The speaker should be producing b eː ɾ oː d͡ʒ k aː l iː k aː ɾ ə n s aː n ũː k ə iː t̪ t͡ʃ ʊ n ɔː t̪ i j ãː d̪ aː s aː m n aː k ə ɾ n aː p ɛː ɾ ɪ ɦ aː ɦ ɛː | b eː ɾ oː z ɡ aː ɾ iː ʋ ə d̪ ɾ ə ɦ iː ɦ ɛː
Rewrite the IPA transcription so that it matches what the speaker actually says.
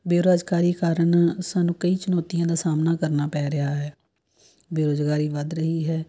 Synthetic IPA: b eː ɾ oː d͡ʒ k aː ɾ iː k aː ɾ ə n s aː n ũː k ə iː t͡ʃ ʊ n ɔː t̪ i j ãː d̪ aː s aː m n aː k ə ɾ n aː p ɛː ɾ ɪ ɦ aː ɦ ɛː | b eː ɾ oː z ɡ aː ɾ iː ʋ ə d̪ ɾ ə ɦ iː ɦ ɛː